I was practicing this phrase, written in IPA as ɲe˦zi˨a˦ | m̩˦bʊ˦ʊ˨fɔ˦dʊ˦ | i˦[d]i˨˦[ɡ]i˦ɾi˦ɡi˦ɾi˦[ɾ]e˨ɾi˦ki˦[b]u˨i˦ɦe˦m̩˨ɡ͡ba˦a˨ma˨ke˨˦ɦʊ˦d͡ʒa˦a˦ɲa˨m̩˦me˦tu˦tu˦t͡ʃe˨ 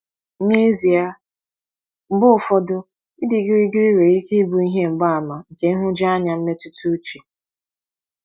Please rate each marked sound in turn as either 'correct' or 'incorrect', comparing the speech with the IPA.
correct, correct, correct, correct

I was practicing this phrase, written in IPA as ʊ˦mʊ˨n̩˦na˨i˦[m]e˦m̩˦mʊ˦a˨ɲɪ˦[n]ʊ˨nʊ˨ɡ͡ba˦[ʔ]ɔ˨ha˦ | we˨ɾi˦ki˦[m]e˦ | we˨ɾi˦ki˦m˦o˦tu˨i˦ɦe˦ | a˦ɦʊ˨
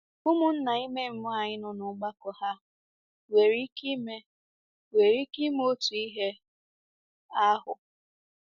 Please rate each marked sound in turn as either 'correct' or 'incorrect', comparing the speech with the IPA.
correct, correct, incorrect, correct

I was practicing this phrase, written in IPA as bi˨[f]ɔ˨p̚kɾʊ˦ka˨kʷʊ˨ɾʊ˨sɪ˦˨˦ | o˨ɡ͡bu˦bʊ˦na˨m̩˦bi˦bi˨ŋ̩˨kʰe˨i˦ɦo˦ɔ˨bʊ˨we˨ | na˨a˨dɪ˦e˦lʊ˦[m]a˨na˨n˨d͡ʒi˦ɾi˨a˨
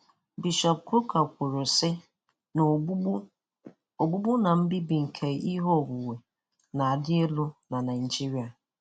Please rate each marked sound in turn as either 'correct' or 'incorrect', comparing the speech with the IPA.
incorrect, incorrect

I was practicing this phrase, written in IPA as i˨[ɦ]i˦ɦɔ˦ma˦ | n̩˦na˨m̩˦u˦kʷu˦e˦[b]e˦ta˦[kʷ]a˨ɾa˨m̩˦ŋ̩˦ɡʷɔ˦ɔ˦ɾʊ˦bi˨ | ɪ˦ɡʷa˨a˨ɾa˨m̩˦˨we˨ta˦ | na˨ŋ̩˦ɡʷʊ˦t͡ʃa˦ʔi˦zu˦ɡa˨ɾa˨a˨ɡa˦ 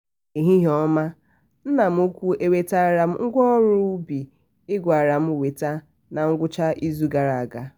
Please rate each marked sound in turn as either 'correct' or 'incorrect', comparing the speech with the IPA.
correct, incorrect, incorrect

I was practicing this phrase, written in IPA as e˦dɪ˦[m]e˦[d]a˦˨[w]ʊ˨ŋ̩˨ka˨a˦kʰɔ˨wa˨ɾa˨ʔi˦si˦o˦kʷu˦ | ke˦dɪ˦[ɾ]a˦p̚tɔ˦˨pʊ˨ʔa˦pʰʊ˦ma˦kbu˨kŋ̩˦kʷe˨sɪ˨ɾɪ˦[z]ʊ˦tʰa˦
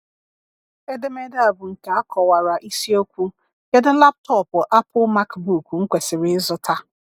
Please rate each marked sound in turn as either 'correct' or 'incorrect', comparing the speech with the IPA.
correct, correct, incorrect, incorrect, correct

